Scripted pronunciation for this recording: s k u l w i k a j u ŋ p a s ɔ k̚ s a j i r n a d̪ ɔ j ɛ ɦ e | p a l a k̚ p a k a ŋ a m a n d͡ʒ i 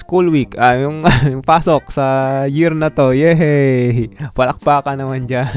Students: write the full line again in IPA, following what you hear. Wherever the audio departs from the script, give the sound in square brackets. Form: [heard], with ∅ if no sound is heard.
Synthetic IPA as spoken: s k u l w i k a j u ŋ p a s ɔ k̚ s a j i r n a [t̪] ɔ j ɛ ɦ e | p a l a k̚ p a k a [n] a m a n d͡ʒ [a]